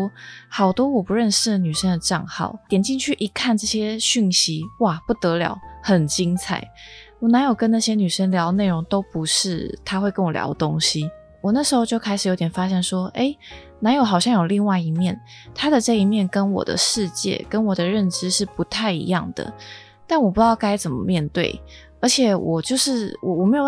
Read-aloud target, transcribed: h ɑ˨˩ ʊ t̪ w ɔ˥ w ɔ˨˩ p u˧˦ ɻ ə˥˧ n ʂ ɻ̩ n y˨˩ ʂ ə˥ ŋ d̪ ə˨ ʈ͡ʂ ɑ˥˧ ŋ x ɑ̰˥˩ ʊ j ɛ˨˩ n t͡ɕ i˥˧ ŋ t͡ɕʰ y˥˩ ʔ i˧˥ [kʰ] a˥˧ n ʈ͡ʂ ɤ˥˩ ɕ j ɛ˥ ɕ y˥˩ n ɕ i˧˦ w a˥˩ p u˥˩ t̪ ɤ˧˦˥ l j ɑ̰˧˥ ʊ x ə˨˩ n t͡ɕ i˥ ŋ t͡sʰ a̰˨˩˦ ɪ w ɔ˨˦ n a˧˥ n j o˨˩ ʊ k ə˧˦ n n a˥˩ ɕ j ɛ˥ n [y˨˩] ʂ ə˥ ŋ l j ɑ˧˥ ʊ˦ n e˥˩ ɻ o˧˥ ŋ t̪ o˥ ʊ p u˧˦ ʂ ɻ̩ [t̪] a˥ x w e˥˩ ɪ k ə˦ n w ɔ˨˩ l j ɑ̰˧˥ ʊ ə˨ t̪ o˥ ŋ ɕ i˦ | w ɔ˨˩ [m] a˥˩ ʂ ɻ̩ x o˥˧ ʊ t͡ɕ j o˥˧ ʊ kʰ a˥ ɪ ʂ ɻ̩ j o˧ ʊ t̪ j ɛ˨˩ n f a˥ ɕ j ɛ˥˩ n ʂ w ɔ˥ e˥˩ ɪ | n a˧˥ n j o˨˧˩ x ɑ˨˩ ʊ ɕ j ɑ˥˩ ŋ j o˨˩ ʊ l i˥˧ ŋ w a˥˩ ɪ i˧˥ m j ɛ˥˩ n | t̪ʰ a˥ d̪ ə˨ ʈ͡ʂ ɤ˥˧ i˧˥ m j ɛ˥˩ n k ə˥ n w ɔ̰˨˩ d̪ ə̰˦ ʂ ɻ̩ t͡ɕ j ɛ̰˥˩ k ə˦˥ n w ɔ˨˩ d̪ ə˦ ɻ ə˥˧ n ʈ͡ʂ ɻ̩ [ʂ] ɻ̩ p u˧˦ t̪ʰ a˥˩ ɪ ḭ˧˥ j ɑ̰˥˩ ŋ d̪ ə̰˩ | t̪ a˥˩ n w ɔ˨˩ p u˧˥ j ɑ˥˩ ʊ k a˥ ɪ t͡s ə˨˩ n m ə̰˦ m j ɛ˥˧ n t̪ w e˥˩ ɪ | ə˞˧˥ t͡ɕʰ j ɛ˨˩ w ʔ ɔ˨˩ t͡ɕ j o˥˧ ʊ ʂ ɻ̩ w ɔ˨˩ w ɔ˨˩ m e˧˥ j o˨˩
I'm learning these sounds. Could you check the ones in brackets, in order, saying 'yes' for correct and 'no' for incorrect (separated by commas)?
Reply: yes, yes, no, no, yes